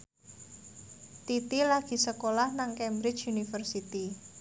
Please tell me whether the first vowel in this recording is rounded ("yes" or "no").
no